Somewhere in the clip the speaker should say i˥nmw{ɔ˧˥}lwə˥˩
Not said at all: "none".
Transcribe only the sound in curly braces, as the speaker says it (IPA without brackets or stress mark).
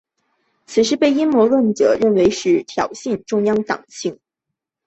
ɔ˧˥